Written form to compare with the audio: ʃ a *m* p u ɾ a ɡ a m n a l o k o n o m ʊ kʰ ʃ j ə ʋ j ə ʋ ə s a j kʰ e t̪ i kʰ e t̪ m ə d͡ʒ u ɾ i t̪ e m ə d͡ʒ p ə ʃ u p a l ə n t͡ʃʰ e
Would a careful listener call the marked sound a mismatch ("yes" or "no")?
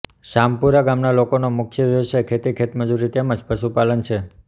no